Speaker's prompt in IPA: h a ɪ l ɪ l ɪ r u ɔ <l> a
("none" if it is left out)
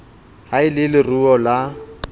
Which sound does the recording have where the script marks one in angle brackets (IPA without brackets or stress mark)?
l